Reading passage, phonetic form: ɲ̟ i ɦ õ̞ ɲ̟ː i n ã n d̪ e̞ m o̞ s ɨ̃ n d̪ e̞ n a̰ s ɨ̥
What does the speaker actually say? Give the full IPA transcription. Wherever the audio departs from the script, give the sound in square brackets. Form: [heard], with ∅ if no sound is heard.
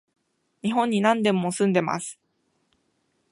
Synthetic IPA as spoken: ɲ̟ i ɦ õ̞ ɲ̟ː i n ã n d̪ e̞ m o̞ s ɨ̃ n d̪ e̞ [m] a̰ s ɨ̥